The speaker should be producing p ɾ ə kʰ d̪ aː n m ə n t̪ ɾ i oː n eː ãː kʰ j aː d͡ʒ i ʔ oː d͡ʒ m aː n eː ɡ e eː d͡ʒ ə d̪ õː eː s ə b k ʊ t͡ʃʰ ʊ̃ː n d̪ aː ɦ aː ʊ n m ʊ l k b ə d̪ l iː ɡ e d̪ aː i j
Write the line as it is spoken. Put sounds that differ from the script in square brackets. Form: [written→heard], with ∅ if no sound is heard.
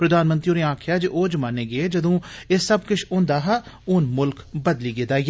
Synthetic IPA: p ɾ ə [kʰ→∅] d̪ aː n m ə n t̪ ɾ i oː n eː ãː kʰ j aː d͡ʒ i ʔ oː d͡ʒ m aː n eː ɡ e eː d͡ʒ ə d̪ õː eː s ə b k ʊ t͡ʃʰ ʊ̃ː n d̪ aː ɦ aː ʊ n m ʊ l k b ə d̪ l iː ɡ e d̪ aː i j